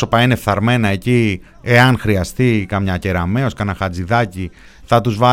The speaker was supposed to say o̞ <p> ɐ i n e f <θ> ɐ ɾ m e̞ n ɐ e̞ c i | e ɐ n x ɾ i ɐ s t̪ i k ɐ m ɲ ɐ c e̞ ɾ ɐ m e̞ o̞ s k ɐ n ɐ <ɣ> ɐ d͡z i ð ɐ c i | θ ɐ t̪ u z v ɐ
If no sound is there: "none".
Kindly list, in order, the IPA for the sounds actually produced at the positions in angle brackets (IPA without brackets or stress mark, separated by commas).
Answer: p, θ, x